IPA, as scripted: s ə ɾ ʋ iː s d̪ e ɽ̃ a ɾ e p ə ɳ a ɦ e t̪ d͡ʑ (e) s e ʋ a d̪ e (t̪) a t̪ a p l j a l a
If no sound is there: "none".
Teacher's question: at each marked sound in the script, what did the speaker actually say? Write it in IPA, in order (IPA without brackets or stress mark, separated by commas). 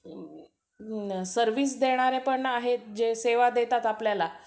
e, t̪